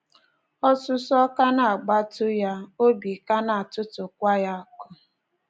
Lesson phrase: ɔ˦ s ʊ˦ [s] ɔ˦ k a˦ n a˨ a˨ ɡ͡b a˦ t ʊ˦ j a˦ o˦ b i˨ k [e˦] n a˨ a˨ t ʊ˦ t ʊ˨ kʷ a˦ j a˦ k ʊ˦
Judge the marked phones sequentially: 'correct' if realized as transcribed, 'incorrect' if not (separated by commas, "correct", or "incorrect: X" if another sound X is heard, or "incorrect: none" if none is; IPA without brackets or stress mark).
correct, incorrect: a˦